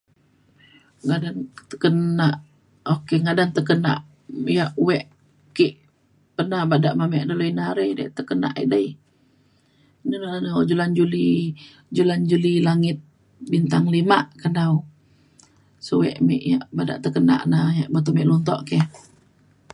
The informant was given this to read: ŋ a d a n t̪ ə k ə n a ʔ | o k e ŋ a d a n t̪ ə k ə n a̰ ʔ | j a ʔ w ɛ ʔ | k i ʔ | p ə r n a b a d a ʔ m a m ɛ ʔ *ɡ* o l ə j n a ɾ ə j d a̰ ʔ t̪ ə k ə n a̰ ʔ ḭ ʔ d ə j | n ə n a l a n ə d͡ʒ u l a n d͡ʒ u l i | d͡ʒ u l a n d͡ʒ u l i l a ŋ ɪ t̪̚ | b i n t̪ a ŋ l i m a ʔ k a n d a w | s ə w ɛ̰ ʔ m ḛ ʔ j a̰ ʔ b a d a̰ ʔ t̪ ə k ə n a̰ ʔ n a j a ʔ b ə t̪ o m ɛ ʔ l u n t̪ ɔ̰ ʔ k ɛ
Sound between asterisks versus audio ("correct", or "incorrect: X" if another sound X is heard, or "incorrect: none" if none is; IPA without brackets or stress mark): incorrect: d